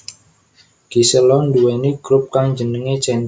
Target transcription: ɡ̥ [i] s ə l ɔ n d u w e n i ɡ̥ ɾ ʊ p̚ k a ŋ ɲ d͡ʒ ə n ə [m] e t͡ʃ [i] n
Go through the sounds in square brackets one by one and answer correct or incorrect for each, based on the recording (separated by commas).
correct, incorrect, incorrect